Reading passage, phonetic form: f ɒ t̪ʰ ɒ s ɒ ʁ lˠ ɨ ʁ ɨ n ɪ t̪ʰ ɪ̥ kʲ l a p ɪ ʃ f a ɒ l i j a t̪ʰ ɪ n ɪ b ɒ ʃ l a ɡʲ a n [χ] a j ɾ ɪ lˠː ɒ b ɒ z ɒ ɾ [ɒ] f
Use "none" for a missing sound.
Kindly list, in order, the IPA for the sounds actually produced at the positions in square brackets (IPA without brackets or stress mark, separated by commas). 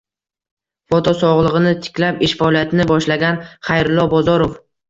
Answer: χ, o